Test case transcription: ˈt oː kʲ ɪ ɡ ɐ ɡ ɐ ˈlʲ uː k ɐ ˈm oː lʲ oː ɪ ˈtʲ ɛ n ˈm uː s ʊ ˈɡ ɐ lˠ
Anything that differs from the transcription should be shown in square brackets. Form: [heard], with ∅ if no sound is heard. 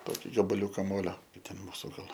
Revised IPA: ˈt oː kʲ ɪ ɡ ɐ [b] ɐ ˈlʲ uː k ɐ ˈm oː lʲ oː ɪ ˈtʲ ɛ n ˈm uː s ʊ ˈɡ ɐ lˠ